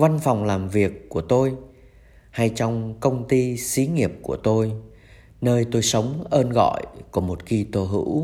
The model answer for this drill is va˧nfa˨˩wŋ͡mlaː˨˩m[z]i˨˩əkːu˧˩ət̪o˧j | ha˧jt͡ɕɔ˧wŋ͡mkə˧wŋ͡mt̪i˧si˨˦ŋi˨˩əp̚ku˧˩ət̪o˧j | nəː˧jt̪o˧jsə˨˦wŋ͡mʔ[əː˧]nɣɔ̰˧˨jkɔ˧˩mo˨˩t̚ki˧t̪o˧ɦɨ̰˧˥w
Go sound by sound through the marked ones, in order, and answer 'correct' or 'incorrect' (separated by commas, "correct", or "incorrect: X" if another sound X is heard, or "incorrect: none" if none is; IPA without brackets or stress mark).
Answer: incorrect: v, correct